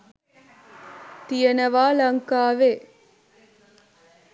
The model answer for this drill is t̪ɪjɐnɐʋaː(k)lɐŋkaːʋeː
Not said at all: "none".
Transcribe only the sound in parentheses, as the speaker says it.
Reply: none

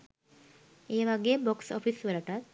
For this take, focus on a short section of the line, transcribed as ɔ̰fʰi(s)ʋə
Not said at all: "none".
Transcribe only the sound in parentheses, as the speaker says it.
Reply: s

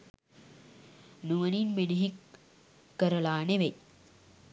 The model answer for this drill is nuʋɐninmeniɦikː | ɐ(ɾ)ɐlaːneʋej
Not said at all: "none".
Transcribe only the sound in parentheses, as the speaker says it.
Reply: ɾ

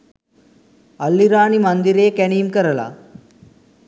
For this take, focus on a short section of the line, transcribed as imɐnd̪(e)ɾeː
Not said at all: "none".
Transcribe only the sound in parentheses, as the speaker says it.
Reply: i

